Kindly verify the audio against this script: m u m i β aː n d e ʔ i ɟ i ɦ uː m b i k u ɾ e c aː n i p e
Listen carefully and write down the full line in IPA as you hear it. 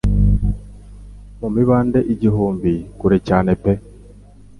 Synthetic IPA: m u m i β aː n d e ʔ i ɟ i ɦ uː m b i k u ɾ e c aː n e p e